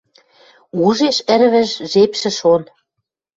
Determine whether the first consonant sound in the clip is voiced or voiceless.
voiced